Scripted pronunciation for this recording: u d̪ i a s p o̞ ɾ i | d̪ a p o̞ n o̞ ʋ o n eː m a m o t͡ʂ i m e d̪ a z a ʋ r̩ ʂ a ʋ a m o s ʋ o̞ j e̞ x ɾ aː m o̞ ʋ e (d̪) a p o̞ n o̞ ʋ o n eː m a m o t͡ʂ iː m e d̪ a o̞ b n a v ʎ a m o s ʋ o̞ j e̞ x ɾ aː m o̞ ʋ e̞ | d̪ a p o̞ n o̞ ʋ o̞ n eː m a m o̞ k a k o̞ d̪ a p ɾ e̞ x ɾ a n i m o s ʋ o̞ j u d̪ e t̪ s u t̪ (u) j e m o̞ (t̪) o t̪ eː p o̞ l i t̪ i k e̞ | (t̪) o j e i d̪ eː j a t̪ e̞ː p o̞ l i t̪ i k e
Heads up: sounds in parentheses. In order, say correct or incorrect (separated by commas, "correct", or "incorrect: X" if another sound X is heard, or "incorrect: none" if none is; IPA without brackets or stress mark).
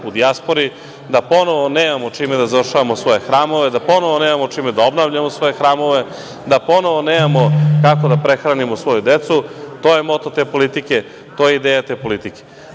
correct, incorrect: o, correct, correct